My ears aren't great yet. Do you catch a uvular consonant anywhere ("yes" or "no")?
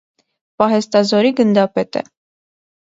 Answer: no